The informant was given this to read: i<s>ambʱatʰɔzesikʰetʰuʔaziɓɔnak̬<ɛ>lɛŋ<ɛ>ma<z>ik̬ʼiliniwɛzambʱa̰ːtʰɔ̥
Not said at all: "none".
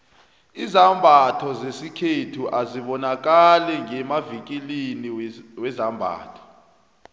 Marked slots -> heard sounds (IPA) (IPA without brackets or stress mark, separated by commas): z, a, ɛ, v